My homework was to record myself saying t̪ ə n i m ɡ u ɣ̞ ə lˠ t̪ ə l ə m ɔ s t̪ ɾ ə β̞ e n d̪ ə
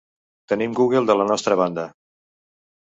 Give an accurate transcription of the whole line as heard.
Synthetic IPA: t̪ ə n i m ɡ u ɣ̞ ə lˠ d̪ ə l ə n ɔ s t̪ ɾ ə β̞ a n d̪ ə